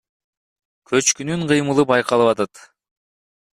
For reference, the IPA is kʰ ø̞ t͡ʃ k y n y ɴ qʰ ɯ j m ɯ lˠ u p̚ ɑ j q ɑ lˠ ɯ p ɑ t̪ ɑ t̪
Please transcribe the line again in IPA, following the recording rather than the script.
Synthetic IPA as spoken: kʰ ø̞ t͡ʃ k y n y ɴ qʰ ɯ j m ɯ lˠ ɯ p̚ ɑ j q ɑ lˠ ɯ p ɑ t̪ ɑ t̪

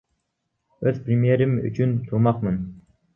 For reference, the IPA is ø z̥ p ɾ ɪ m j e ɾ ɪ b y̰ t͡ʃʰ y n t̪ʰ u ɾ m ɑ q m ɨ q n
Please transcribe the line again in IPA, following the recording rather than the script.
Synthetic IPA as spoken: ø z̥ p ɾ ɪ m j e ɾ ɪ m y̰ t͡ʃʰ y n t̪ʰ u ɾ m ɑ q m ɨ n

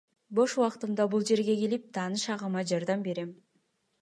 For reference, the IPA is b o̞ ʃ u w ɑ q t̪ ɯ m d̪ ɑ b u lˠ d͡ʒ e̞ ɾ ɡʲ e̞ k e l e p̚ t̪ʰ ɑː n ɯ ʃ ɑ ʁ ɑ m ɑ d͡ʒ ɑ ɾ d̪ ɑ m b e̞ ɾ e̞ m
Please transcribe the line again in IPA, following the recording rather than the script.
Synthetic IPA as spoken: b o̞ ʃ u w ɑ q t̪ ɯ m d̪ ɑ b u lˠ d͡ʒ e̞ ɾ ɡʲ e̞ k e l i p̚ t̪ʰ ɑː n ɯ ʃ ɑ ʁ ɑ m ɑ d͡ʒ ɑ ɾ d̪ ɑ m b e̞ ɾ e̞ m

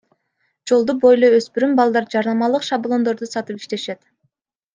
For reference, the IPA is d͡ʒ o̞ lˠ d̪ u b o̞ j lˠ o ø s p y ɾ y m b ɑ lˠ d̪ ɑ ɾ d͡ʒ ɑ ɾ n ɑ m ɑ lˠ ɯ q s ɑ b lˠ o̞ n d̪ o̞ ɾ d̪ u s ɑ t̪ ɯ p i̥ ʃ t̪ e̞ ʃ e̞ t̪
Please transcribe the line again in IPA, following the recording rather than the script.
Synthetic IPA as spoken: d͡ʒ o̞ lˠ d̪ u b o̞ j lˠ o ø s p y ɾ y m b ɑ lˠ d̪ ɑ ɾ d͡ʒ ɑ ɾ n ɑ m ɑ lˠ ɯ q ʃ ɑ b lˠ o̞ n d̪ o̞ ɾ d̪ u s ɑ t̪ ɯ p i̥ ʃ t̪ e̞ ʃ e̞ t̪

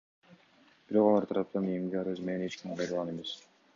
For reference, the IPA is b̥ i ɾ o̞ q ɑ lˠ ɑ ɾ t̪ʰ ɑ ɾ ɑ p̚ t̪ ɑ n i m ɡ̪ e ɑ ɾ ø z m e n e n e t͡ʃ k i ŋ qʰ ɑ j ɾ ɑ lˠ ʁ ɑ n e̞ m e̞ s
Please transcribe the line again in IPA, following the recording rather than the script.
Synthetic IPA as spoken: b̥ i ɾ o̞ q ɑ lˠ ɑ ɾ t̪ʰ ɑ ɾ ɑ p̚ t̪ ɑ n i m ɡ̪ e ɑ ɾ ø z m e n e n e t͡ʃ k i m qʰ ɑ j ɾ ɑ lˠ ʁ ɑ n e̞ m e̞ s

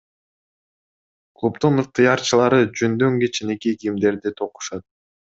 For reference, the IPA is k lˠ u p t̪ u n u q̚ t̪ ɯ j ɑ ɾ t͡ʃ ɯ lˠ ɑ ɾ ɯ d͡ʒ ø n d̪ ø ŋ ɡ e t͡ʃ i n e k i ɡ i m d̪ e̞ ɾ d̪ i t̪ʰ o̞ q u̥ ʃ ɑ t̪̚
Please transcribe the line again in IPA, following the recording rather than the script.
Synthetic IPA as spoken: k lˠ u p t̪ u n ɯ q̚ t̪ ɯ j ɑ ɾ t͡ʃ ɯ lˠ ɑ ɾ ɯ d͡ʒ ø n d̪ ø ŋ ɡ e t͡ʃ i n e k i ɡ i m d̪ e̞ ɾ d̪ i t̪ʰ o̞ q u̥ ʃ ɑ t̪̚

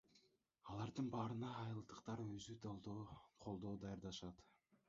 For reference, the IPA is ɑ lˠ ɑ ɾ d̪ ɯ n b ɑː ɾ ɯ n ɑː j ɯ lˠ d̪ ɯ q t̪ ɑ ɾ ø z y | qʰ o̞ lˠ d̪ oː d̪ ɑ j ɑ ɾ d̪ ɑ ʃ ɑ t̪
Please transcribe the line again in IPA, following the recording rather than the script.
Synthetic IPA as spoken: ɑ lˠ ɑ ɾ d̪ ɯ n b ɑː ɾ ɯ n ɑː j ɯ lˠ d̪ ɯ q t̪ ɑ ɾ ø z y | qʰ o̞ lˠ d̪ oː d̪ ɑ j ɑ ɾ d̪ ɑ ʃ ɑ t̪

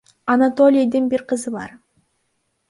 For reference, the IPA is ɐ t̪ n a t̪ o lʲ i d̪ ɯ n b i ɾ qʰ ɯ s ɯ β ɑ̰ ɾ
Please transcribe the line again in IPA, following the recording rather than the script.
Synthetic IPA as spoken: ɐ n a t̪ o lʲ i d̪ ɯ n b i ɾ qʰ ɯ z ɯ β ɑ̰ ɾ

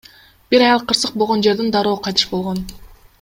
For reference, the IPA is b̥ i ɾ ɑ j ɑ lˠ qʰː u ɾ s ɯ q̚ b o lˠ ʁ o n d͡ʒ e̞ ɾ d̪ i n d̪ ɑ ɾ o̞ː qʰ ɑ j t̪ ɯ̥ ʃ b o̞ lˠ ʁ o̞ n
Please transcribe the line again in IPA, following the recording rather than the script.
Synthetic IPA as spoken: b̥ i ɾ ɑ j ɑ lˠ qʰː ɯ ɾ s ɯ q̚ b o lˠ ʁ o n d͡ʒ e̞ ɾ d̪ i n d̪ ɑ ɾ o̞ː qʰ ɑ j t̪ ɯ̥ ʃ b o̞ lˠ ʁ o̞ n

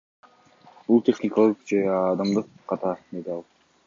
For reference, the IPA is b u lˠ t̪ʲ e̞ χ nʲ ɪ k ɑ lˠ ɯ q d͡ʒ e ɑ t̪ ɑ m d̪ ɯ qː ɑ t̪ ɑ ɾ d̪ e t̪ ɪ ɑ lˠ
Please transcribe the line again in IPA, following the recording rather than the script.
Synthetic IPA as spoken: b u lˠ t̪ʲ e̞ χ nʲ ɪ k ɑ lˠ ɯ q d͡ʒ e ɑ d̪ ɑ m d̪ ɯ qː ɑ t̪ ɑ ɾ d̪ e d̪ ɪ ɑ lˠ

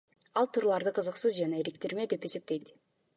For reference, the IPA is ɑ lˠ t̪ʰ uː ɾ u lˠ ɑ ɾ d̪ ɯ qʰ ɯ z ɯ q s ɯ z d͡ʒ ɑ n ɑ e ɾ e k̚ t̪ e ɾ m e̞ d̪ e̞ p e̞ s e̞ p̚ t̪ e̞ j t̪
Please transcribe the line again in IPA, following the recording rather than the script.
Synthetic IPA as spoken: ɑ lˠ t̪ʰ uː ɾ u lˠ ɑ ɾ d̪ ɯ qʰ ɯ z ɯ q s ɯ z d͡ʒ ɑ n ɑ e ɾ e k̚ t̪ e ɾ m e̞ d̪ e̞ p e̞ s e̞ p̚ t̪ e̞ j t̪

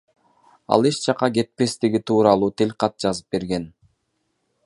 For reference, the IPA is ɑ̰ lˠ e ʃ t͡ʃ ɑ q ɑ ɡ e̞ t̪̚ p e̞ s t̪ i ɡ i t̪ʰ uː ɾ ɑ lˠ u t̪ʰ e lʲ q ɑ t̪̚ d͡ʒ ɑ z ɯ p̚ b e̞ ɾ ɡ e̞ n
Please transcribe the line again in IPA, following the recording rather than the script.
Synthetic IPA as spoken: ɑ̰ lˠ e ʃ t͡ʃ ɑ q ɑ ɡ e̞ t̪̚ p e̞ s t̪ i ɡ i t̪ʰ uː ɾ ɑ lˠ uː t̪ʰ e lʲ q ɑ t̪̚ d͡ʒ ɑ z ɯ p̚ b e̞ ɾ ɡ e̞ n

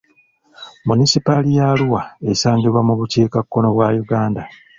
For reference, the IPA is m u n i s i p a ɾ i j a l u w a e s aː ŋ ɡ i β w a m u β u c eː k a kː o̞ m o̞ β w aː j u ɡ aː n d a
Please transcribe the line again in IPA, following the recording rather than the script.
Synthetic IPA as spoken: m u n i s i p a l i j a l u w a e s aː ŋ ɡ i β w a m u β u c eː k a kː o̞ n o̞ β w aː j u ɡ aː n d a

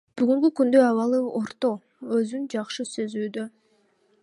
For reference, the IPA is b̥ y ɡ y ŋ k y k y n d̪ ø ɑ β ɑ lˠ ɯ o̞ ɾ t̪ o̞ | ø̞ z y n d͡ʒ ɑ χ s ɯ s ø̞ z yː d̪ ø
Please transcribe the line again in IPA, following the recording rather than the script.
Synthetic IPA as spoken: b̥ y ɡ y ŋ k y k y n d̪ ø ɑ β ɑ lˠ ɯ o̞ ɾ t̪ o̞ | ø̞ z y n d͡ʒ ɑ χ ʃ ɯ s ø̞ z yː d̪ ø

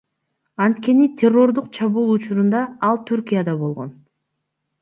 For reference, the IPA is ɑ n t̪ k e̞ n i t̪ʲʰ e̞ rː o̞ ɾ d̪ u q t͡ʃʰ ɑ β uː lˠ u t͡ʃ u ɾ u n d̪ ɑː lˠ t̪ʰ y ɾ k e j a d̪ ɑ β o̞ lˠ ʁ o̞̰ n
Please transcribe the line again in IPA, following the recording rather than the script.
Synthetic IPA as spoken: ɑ n t̪ k e̞ n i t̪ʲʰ e̞ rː o̞ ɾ d̪ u q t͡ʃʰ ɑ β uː lˠ u t͡ʃ u ɾ u n d̪ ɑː lˠ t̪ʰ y ɾ k i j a d̪ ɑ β o̞ lˠ ʁ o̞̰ n

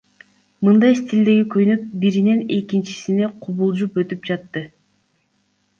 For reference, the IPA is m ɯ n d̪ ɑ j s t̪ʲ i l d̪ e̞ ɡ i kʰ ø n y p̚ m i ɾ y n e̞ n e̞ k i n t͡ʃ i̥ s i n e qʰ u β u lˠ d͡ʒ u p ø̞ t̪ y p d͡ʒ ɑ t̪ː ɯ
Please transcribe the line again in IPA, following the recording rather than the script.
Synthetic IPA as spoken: m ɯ n d̪ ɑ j s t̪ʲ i l d̪ e̞ ɡ i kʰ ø n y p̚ b i ɾ i n e̞ n e̞ k i n t͡ʃ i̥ s i n e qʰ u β u lˠ d͡ʒ u p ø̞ t̪ y p d͡ʒ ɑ t̪ː ɯ

